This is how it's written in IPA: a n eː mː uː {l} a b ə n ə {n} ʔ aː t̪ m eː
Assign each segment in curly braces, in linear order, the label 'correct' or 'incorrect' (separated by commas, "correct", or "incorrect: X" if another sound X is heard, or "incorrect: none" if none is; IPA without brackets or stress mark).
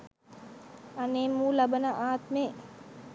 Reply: correct, incorrect: none